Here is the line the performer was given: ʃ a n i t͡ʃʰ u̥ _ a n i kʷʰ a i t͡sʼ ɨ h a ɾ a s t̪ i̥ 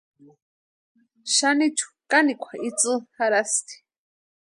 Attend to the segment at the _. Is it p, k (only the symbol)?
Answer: k